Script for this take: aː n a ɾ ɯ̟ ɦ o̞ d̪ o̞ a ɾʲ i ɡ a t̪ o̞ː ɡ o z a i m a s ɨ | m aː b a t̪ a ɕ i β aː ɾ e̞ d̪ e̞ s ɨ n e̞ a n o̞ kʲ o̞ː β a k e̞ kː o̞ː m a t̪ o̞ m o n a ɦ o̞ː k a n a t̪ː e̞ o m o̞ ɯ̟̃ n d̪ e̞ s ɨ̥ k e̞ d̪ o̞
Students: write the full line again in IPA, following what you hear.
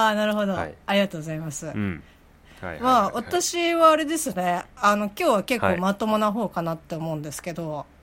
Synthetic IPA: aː n a ɾ ɯ̟ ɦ o̞ d̪ o̞ a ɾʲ i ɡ a t̪ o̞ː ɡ o z a i m a s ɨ | m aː β a t̪ a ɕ i β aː ɾ e̞ d̪ e̞ s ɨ n e̞ a n o̞ kʲ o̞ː β a k e̞ kː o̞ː m a t̪ o̞ m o n a ɦ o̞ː k a n a t̪ː e̞ o m o̞ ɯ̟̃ n d̪ e̞ s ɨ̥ k e̞ d̪ o̞